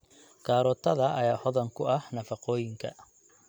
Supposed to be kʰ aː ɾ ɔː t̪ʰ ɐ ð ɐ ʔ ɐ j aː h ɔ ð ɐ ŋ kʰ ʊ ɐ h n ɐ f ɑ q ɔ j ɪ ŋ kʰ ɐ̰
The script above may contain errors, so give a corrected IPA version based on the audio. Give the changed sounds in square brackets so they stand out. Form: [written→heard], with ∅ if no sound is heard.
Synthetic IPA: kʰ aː ɾ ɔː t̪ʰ ɐ ð ɐ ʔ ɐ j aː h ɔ ð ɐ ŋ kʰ ʊ ɐ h n ɐ f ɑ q [ɔ→ɔː] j ɪ ŋ kʰ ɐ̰